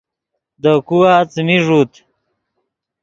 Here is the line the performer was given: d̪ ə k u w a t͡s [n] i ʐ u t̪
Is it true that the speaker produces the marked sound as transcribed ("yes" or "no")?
no